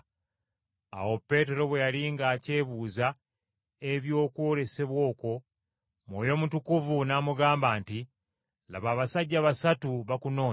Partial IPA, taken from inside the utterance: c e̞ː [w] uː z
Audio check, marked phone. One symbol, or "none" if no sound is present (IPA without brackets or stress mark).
β